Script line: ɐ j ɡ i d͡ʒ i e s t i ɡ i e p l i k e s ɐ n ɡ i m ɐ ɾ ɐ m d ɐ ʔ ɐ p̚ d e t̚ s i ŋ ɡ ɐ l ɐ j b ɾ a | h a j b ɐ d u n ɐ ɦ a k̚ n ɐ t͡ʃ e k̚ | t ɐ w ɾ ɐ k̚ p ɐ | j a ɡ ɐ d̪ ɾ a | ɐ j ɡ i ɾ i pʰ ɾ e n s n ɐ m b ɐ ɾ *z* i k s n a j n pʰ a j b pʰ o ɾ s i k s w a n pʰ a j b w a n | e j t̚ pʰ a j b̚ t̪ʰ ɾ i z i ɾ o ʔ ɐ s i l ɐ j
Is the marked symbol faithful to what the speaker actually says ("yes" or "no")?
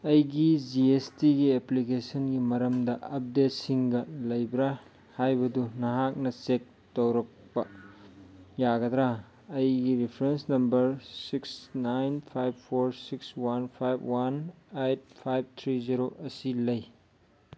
no